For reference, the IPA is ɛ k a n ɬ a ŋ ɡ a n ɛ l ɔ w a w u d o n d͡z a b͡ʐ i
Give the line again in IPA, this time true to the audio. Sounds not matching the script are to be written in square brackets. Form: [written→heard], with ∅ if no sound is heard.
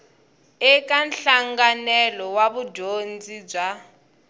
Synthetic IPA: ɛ k a n ɬ a ŋ ɡ a n ɛ l ɔ w a [w→β] u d o n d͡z [a→i] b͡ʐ [i→a]